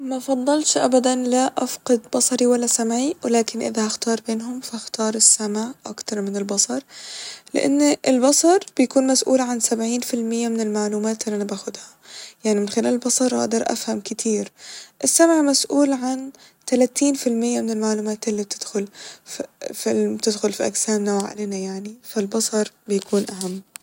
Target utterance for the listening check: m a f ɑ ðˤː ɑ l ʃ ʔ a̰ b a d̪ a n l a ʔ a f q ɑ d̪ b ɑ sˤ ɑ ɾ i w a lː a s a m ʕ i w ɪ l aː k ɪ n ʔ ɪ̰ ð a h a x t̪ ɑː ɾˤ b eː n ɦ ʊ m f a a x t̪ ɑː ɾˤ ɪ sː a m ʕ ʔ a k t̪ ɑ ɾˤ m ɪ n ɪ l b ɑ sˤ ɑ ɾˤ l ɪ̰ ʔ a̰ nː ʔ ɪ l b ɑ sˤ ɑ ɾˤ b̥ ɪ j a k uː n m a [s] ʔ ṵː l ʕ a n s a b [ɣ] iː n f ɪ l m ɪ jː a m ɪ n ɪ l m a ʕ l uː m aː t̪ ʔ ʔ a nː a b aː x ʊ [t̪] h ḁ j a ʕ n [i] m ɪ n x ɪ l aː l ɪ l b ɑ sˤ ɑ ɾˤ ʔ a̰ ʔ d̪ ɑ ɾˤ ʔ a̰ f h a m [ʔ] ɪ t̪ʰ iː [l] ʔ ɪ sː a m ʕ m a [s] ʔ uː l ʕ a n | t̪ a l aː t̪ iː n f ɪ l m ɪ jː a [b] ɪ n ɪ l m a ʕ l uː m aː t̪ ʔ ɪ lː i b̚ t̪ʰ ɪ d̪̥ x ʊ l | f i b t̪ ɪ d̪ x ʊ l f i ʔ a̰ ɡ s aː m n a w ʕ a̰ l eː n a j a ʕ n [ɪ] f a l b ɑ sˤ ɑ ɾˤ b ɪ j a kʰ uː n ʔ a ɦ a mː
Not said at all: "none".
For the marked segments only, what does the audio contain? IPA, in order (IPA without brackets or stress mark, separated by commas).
s, ʕ, d̪, i, k, ɾ, s, m, i